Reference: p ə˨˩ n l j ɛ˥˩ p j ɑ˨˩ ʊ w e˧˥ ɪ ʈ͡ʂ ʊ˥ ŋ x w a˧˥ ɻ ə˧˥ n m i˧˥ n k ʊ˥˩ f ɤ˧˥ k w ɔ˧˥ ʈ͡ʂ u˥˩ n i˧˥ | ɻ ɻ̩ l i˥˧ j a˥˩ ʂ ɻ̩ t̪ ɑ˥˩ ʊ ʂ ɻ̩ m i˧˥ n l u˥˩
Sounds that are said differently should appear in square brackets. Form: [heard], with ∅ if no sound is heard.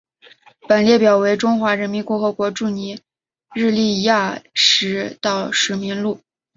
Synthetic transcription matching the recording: p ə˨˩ n l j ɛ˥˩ p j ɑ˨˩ ʊ w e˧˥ ɪ ʈ͡ʂ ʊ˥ ŋ x w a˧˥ ɻ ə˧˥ n m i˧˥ n k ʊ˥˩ [x] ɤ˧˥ k w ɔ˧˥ ʈ͡ʂ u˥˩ n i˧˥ | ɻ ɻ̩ l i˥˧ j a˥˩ ʂ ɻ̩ t̪ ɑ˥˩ ʊ ʂ ɻ̩ m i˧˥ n l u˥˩